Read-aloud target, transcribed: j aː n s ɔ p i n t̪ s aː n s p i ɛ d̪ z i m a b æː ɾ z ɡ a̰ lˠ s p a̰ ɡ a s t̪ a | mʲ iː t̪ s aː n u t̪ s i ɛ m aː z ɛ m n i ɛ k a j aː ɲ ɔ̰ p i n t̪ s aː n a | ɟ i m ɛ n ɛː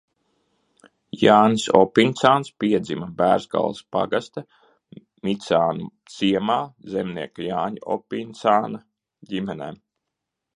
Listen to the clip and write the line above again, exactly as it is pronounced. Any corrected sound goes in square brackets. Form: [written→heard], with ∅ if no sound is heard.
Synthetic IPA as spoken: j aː n s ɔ p i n t̪ s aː n s p i ɛ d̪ z i m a b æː ɾ z ɡ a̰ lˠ s p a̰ ɡ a s t̪ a | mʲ [iː→i] t̪ s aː n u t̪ s i ɛ m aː z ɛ m n i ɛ k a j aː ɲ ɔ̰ p i n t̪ s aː n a | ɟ i m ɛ n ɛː